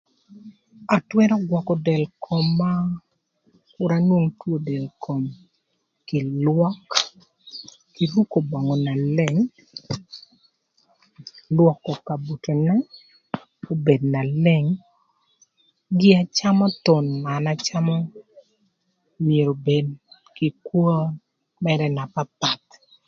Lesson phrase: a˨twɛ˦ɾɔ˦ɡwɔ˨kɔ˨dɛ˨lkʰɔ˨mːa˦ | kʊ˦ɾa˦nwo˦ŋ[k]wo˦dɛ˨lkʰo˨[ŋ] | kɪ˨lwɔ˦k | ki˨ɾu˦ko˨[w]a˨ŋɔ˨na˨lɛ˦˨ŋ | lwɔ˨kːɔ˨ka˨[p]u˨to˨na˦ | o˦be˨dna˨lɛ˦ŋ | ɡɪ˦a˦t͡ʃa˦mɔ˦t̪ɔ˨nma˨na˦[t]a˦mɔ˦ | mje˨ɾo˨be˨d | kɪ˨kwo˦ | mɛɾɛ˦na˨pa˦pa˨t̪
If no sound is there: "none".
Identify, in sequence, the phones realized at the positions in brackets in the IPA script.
t, m, b, b, t͡ʃ

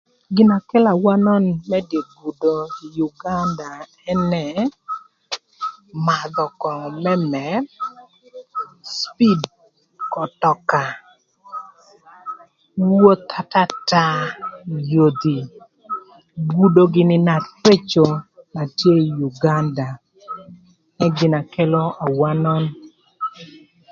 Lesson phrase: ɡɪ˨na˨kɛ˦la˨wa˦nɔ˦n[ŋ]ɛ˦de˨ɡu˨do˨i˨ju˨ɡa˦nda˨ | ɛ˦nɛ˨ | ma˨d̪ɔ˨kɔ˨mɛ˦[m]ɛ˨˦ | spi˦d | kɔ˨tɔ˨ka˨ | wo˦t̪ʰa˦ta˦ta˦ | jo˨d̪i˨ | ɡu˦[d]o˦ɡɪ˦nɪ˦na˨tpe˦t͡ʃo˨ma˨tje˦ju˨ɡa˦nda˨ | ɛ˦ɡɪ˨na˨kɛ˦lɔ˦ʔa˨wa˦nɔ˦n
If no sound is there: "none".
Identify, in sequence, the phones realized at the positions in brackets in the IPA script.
m, m, d

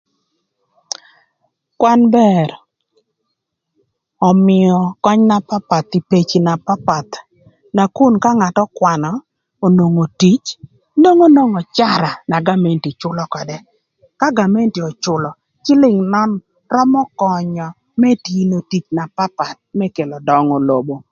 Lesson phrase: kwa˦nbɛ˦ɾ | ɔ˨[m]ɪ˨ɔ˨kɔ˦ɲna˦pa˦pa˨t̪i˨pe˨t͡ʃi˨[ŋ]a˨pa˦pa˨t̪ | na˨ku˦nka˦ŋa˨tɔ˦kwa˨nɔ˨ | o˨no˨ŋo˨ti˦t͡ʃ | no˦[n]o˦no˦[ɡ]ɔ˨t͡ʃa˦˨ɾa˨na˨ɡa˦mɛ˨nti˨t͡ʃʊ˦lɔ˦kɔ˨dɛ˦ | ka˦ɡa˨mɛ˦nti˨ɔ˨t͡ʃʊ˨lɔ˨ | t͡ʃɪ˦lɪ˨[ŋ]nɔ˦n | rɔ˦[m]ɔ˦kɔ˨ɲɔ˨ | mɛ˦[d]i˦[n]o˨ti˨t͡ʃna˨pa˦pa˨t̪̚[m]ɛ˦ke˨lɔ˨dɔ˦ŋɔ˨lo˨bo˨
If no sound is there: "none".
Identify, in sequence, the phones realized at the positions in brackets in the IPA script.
m, n, ŋ, ŋ, ŋ, m, t, n, m

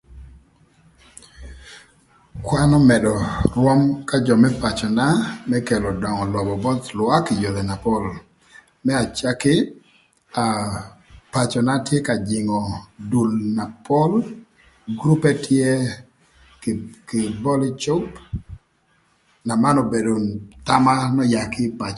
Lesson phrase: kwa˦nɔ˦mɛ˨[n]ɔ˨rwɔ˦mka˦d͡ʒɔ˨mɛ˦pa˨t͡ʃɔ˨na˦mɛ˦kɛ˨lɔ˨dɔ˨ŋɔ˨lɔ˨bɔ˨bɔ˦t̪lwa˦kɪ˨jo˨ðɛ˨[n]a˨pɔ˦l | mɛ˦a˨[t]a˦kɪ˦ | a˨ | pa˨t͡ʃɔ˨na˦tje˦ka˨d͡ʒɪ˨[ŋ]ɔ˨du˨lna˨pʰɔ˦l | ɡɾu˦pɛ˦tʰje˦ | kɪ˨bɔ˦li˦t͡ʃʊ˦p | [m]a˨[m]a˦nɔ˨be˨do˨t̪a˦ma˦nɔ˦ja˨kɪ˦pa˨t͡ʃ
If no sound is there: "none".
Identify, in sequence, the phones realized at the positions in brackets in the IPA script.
d, n, t͡ʃ, ŋ, n, m

